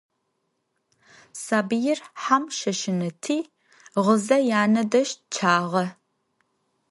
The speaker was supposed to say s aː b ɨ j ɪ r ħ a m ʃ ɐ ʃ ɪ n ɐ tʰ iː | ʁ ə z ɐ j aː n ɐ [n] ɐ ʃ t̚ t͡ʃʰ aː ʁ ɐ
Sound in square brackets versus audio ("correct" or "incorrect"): incorrect